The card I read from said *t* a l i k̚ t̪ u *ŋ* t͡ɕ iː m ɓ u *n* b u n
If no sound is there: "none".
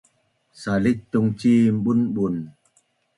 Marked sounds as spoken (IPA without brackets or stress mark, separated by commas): s, ŋ, n